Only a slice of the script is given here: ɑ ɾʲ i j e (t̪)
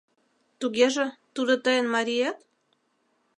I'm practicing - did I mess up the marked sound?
no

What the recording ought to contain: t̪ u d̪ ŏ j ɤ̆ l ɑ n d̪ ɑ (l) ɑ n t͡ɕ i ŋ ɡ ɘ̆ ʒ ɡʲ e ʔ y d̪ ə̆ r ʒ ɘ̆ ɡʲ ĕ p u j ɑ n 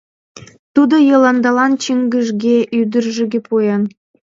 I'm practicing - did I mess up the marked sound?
no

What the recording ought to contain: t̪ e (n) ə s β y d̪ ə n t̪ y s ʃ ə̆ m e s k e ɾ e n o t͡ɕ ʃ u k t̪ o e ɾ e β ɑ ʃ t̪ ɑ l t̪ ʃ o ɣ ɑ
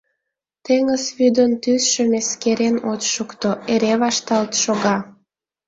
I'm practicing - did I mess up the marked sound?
yes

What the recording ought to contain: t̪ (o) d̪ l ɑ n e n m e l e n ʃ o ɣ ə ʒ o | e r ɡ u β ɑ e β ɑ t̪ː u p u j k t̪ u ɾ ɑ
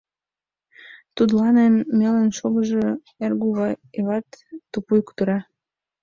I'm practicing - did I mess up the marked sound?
yes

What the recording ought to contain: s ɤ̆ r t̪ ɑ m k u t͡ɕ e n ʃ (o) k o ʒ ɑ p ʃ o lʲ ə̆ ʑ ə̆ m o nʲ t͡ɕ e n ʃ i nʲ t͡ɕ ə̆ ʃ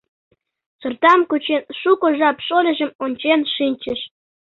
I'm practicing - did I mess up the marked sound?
yes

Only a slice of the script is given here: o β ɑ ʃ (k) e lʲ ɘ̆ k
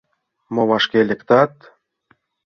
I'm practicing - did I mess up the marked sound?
no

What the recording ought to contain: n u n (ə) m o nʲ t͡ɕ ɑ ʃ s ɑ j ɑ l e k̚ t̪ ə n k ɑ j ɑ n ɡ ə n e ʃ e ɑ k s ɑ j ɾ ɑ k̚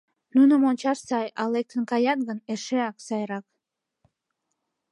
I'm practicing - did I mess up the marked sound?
no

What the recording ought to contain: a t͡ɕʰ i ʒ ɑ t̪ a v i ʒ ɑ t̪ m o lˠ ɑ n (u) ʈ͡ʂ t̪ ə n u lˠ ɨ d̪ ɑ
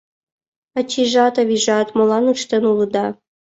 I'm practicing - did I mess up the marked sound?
no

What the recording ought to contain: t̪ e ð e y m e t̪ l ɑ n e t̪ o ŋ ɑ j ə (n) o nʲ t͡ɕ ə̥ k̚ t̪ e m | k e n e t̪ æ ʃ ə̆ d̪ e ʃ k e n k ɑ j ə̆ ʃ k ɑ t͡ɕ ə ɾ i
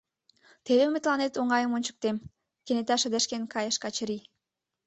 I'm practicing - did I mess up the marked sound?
yes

